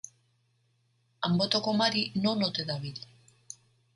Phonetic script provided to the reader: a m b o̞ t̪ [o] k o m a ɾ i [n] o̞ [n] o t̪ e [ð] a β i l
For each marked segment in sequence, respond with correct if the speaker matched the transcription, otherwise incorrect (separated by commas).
correct, correct, correct, correct